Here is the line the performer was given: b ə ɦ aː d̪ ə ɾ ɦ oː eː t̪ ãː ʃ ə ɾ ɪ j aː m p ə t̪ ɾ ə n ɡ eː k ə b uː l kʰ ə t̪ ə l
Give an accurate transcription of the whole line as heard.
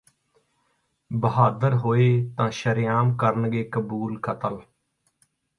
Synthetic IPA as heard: b ə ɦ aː d̪ ə ɾ ɦ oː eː t̪ ãː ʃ ə ɾ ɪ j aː m k ə ɾ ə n ɡ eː k ə b uː l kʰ ə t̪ ə l